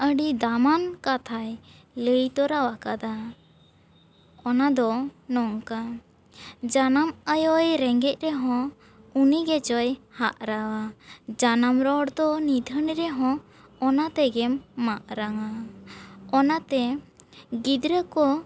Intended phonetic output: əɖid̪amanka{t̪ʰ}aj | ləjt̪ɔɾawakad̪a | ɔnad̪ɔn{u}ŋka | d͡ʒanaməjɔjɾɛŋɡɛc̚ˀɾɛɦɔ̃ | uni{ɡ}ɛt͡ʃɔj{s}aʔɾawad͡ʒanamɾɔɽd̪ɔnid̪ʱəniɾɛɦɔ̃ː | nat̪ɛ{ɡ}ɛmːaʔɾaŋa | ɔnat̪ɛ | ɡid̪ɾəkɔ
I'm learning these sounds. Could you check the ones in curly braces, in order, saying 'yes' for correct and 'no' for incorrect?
yes, no, yes, no, yes

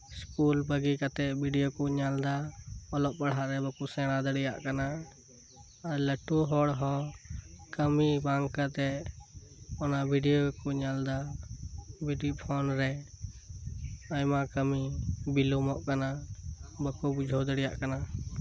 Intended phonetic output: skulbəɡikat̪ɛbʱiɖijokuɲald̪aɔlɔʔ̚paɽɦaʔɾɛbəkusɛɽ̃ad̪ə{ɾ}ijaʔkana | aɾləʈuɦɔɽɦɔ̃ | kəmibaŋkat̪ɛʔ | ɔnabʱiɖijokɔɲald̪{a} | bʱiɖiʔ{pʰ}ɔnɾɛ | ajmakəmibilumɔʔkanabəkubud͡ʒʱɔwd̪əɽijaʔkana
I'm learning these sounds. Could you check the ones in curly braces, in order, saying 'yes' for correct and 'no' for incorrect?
no, yes, yes

